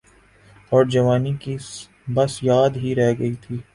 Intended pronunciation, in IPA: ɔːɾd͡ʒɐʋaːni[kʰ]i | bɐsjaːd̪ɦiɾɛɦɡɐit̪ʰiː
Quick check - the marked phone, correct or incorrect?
incorrect: k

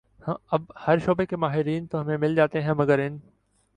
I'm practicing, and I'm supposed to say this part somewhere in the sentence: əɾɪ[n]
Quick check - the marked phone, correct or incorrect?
correct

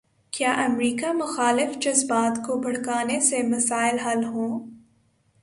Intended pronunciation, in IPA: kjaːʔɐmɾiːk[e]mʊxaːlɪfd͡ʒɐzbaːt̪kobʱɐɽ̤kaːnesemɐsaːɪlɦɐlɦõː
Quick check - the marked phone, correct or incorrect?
incorrect: a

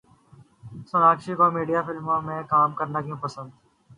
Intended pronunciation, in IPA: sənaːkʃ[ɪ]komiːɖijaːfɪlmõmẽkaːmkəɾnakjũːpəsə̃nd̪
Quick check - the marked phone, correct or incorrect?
incorrect: i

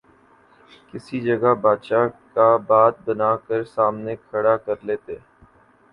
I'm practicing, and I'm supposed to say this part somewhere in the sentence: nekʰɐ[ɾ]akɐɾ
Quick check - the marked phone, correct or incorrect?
incorrect: ɽ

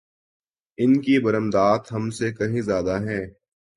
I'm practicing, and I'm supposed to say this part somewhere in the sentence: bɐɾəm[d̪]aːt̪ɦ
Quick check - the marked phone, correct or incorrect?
correct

